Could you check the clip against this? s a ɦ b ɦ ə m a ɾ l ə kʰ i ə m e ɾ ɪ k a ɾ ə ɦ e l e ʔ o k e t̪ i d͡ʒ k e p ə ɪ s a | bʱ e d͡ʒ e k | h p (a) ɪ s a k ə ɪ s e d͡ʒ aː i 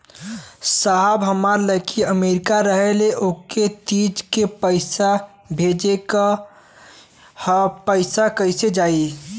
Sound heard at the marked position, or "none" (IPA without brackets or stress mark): ə